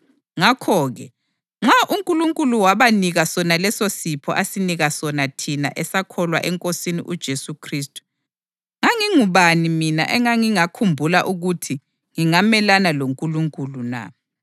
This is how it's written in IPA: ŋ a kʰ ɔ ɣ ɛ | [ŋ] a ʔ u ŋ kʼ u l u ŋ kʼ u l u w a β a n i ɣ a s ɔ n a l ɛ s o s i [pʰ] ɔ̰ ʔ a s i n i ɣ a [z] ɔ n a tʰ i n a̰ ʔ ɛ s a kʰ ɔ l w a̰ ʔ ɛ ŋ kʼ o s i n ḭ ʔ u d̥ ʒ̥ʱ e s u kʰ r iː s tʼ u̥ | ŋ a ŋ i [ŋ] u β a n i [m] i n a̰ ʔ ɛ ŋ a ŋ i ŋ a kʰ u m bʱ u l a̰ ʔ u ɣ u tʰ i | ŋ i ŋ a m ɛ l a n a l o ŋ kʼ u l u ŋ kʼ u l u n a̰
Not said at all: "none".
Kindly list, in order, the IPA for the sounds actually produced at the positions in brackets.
ŋ͡ǁ, pʰ, s, ŋ, m

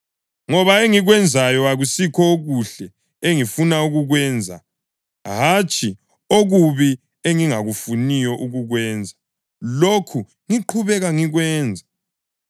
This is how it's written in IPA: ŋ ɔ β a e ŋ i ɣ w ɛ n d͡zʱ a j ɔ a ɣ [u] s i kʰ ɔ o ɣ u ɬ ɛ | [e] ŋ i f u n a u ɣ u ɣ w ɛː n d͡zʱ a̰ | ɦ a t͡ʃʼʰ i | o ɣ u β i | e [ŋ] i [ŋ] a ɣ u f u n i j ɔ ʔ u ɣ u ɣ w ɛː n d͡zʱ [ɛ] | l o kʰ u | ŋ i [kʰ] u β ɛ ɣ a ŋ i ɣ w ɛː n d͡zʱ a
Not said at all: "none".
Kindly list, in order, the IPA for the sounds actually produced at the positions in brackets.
u, e, ŋ, ŋ, a, ǃʰ

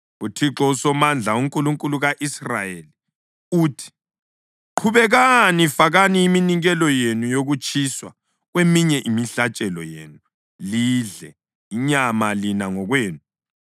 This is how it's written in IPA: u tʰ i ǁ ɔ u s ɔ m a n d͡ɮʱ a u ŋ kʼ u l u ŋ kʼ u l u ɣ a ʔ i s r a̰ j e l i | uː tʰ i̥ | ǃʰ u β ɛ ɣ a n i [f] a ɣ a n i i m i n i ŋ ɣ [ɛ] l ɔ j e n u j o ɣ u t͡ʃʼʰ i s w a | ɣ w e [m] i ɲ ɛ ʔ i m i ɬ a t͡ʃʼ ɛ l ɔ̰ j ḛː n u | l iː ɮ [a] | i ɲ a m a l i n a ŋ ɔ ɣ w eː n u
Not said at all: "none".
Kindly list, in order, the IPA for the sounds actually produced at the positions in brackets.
f, ɛ, m, ɛ

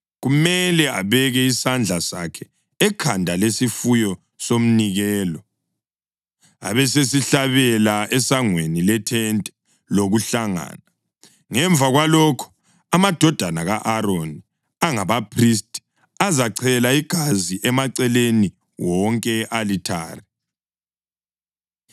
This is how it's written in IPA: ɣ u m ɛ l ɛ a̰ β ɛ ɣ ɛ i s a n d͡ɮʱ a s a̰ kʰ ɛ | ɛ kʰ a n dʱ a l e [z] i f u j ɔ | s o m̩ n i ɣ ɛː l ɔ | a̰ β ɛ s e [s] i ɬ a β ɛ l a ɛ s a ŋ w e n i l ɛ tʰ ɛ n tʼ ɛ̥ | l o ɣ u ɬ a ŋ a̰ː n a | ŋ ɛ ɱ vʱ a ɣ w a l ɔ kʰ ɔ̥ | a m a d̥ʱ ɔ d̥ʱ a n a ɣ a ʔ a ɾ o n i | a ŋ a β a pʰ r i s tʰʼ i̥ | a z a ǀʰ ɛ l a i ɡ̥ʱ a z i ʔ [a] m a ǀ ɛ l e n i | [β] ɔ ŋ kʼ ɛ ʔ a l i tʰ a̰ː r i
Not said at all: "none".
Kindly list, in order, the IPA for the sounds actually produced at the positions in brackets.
s, s, ɛ, w

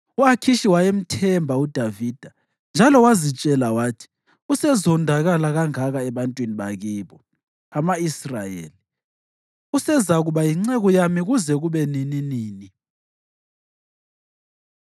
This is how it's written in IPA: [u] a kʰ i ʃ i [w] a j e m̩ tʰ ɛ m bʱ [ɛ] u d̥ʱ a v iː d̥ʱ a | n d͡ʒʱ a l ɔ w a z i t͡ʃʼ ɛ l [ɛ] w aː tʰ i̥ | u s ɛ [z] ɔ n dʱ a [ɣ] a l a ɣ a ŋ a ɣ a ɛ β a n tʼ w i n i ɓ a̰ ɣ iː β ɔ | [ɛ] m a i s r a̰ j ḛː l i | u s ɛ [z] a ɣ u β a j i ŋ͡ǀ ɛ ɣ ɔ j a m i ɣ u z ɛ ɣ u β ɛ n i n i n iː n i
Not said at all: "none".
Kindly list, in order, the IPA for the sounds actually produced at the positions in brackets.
u, w, a, a, z, ɣ, a, z

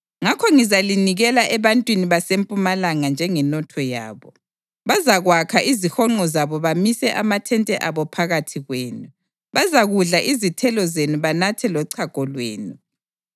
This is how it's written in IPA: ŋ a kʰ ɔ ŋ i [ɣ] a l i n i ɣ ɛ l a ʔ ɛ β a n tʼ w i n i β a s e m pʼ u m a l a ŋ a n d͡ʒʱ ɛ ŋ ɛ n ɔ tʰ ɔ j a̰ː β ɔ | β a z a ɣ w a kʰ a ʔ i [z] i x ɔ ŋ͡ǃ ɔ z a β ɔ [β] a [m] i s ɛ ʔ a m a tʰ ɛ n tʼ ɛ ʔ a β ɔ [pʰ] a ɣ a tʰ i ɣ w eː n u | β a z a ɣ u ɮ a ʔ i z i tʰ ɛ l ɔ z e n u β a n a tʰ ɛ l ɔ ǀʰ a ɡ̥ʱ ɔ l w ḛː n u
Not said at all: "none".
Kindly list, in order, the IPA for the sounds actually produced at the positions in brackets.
z, z, β, m, pʰ

